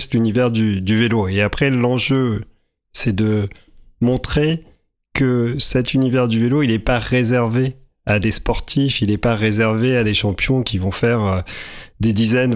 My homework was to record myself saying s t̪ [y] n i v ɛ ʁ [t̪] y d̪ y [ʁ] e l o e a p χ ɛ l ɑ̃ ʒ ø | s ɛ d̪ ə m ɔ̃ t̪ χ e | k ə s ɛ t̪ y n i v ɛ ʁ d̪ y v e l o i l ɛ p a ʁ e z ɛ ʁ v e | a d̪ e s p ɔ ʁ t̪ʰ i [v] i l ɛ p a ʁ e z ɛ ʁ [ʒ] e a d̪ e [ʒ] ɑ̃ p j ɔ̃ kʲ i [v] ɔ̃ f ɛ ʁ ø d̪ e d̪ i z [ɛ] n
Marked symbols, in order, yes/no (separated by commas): yes, no, no, no, no, no, yes, yes